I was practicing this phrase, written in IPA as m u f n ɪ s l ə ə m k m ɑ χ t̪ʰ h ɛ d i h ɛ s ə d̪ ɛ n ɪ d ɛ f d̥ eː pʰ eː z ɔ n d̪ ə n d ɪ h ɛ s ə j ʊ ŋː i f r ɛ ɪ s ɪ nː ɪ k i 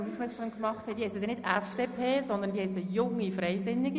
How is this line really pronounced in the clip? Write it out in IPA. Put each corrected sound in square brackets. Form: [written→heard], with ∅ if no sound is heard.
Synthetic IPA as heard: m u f [n→m] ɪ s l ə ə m k m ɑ χ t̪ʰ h ɛ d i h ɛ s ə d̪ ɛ n ɪ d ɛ f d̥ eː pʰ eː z ɔ n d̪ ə n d [ɪ→i] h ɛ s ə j ʊ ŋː i f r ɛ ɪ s ɪ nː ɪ [k→ɡ] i